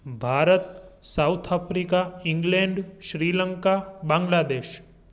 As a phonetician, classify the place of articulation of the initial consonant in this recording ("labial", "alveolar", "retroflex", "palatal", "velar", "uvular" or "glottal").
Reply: labial